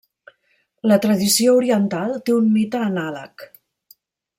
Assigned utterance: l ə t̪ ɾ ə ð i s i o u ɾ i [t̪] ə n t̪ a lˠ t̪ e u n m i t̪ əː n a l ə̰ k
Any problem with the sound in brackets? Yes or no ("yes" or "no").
yes